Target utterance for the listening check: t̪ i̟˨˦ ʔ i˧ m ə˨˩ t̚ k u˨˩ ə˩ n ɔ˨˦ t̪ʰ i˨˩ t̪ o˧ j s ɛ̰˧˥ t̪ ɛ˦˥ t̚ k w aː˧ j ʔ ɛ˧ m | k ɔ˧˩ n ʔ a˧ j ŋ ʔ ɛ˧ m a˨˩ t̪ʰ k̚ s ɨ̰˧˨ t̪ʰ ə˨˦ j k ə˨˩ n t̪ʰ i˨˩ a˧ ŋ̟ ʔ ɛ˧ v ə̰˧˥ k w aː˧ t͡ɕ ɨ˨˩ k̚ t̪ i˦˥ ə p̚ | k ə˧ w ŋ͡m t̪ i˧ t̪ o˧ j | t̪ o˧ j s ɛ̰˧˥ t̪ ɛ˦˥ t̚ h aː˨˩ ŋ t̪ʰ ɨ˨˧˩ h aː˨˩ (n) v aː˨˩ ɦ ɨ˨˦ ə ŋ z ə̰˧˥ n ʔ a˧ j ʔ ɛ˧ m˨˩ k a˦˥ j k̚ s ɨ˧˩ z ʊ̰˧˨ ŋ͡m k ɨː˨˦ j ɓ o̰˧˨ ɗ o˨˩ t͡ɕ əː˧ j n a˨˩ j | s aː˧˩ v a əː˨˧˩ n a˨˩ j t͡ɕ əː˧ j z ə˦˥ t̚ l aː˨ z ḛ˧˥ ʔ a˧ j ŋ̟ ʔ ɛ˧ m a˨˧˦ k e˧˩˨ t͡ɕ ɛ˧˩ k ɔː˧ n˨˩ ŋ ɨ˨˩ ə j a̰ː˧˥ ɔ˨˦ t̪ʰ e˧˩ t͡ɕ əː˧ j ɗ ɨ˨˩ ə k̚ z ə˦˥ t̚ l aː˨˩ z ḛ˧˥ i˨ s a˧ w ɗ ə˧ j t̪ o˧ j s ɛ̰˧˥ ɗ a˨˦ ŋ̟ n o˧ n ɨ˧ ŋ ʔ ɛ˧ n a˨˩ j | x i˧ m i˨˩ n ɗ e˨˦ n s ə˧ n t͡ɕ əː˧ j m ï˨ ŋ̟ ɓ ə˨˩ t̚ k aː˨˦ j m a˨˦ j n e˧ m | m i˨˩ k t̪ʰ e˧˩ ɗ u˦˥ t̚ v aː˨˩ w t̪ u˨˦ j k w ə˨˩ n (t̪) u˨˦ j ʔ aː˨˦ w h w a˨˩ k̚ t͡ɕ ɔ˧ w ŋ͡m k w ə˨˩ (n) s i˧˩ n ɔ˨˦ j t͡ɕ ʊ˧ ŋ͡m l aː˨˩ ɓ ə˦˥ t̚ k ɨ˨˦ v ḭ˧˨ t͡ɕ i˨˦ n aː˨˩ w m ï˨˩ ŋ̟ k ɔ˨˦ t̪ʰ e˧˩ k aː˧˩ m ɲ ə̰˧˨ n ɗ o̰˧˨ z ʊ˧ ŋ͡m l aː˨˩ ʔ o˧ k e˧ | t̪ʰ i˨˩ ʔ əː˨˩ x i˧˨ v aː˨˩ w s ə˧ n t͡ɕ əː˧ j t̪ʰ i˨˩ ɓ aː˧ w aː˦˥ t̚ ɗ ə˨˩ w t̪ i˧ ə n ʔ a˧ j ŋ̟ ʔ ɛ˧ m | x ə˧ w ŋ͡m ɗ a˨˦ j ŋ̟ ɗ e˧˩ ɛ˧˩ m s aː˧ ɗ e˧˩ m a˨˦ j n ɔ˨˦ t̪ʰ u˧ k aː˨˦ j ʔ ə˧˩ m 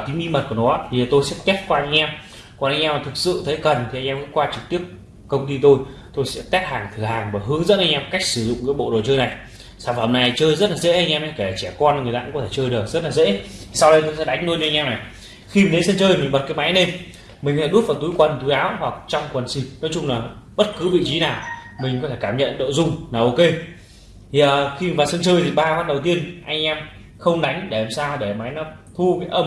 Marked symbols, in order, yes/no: no, yes, yes

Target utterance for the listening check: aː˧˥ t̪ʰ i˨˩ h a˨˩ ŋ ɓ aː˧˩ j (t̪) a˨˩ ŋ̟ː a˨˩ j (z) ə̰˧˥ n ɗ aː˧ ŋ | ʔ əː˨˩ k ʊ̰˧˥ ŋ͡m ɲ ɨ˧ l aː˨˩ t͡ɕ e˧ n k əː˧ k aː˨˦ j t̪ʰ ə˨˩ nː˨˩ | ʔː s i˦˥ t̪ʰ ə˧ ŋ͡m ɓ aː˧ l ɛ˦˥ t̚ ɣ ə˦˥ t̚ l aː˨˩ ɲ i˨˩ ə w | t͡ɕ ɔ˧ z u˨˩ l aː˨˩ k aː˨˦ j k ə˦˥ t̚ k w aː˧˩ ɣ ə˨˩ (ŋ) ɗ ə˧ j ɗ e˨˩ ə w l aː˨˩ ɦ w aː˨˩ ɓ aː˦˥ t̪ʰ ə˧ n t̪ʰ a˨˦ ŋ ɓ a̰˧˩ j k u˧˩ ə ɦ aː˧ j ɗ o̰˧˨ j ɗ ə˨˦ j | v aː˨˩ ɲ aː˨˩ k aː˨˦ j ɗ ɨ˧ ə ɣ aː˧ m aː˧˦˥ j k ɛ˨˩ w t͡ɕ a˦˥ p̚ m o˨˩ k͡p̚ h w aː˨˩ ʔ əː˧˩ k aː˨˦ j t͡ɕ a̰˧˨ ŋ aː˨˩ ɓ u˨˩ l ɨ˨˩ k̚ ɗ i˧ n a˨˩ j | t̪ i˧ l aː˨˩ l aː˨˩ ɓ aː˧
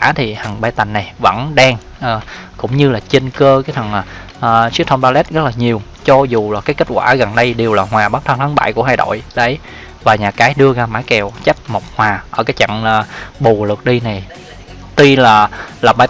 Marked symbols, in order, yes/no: yes, no, no

